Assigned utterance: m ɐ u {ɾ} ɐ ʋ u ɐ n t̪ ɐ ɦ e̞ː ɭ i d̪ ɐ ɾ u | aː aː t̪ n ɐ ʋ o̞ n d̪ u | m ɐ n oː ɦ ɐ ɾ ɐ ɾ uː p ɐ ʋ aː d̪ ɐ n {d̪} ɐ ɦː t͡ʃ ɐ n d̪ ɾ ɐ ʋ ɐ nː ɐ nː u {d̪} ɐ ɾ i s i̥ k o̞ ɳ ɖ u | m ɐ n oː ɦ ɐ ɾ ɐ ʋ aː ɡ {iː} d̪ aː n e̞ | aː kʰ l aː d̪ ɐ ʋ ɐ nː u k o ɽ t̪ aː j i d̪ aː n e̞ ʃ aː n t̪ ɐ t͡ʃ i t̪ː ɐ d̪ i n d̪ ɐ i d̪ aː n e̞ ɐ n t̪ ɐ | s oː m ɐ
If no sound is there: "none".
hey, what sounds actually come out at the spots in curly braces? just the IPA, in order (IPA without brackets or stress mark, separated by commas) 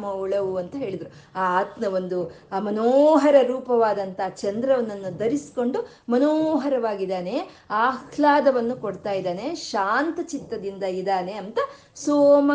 ɭ, t̪, d̪, i